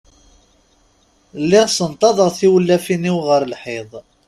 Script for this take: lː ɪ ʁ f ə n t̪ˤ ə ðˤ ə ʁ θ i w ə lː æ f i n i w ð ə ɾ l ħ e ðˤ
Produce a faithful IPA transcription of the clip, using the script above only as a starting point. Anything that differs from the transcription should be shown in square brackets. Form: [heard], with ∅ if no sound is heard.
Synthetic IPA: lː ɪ ʁ [s] ə n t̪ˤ [ɑ] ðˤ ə ʁ θ i w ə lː æ f i n i w [ʁ] ə ɾ l ħ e ðˤ